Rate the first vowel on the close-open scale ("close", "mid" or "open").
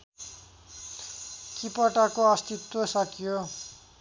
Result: close